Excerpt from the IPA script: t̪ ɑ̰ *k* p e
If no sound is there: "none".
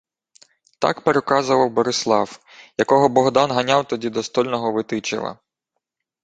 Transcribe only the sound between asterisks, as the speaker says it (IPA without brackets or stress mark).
k